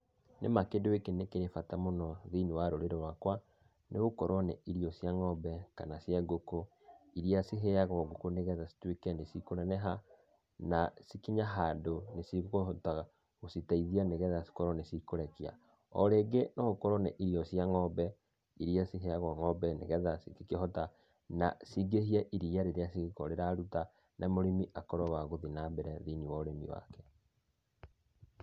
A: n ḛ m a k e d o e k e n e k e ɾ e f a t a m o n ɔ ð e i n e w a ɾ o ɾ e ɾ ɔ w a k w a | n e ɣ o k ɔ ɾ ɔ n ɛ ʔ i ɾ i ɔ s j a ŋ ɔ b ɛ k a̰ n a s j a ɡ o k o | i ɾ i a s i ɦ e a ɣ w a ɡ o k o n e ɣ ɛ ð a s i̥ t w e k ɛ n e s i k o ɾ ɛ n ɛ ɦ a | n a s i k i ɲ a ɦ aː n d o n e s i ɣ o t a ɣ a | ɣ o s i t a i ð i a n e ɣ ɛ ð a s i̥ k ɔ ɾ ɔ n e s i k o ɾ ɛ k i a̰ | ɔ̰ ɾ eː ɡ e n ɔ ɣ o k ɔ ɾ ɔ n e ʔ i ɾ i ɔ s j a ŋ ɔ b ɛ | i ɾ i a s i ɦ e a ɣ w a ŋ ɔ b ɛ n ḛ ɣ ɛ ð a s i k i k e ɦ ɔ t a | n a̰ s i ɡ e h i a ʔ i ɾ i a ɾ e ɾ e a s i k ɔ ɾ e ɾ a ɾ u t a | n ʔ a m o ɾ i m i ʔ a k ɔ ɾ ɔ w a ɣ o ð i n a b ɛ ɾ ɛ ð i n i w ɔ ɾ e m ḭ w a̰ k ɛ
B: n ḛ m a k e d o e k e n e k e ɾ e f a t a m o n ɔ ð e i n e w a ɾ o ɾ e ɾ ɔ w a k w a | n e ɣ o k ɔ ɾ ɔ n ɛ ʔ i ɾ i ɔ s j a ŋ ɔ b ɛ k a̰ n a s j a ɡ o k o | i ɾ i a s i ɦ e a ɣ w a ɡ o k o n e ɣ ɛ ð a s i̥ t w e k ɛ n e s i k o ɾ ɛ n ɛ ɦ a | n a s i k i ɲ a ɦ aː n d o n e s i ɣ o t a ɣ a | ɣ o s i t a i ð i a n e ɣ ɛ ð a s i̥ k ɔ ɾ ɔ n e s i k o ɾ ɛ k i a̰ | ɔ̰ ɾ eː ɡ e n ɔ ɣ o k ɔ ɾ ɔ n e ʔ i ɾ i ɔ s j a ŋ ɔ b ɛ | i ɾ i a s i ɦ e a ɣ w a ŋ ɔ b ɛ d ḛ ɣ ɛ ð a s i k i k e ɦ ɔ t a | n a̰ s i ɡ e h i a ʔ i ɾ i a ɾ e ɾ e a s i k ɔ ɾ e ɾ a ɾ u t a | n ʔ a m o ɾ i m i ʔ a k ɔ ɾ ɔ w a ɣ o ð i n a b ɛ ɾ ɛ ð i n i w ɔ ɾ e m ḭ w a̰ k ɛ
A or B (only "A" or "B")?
A